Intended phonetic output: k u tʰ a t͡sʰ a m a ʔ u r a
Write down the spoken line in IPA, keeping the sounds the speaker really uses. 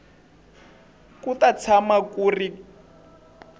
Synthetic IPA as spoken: k u t a t͡sʰ a m a k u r i

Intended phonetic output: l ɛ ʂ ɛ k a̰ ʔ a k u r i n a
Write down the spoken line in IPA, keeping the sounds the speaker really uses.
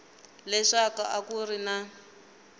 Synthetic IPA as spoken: l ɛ ʂ a k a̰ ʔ a k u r i n a

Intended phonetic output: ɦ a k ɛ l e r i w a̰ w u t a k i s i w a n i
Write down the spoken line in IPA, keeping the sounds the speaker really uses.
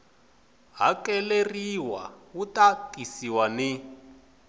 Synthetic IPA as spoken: ɦ a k ɛ l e r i w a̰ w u t a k i s i w a n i

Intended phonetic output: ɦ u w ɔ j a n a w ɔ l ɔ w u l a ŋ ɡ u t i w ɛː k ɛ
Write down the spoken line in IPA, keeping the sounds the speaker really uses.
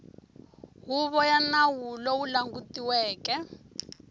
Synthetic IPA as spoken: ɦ u β ɔ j a n a w u l ɔ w u l a ŋ ɡ u t i w ɛː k ɛ

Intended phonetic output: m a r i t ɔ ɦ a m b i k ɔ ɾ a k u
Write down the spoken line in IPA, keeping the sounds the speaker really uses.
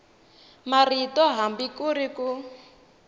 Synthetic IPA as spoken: m a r i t ɔ ɦ a m b i k u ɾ i k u

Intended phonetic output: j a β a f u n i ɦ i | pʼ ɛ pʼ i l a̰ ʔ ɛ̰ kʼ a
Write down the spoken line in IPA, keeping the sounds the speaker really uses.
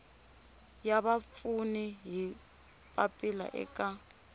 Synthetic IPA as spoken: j a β a f u n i ɦ i | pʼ a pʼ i l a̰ ʔ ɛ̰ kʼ a

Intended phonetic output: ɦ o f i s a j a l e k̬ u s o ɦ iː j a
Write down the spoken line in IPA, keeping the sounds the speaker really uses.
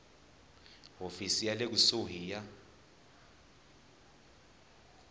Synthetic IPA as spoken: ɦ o f i s i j a l e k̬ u s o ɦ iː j a

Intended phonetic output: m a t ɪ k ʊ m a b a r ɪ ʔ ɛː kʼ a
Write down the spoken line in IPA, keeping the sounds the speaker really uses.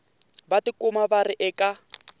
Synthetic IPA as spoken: b a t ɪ k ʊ m a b a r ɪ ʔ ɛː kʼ a

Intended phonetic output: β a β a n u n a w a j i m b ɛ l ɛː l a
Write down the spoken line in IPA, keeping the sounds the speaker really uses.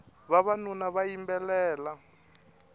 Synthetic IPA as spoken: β a β a n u n a β a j i m b ɛ l ɛː l a

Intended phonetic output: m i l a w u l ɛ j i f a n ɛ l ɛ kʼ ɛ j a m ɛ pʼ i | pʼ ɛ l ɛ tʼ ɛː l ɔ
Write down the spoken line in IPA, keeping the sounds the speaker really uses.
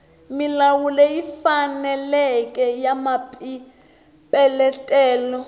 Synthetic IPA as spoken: m i l a w u l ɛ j i f a n ɛ l ɛ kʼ ɛ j a m a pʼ i | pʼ ɛ l ɛ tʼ ɛː l ɔ

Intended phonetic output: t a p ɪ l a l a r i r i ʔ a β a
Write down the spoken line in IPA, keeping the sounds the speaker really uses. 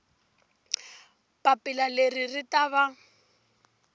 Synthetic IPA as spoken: p a p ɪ l a l e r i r i t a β a

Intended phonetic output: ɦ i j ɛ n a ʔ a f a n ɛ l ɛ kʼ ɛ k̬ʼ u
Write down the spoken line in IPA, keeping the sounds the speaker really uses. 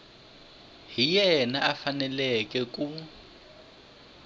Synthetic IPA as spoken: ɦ i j ɛ n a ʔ a f a n ɛ l ɛ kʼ ɛ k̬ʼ u

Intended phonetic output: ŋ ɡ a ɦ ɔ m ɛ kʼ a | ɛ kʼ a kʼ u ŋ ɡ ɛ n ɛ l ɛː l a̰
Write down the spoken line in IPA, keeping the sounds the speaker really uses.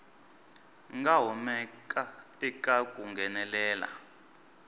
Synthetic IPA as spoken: ŋ ɡ a ɦ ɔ m ɛ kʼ a | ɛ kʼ a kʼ u ŋ ɡ ɛ n ɛ l ɛː l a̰

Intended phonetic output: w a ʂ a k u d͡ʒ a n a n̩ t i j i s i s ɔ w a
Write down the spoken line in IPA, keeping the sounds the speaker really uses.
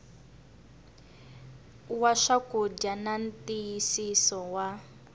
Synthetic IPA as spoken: w a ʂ a k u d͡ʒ a n a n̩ t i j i s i s ɔ w a

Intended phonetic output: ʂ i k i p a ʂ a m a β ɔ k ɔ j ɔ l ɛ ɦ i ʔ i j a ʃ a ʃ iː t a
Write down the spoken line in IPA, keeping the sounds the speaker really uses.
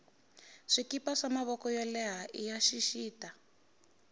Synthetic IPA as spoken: ʂ i k i p a ʂ a m a β ɔ k ɔ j ɔ l ɛ ɦ a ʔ i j a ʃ i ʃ iː t a

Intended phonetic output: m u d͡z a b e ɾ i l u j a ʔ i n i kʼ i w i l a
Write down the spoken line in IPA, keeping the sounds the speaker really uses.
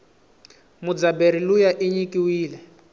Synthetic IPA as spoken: m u d͡z a b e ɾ i l u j a ʔ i ɲ i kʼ i w iː l ɛ

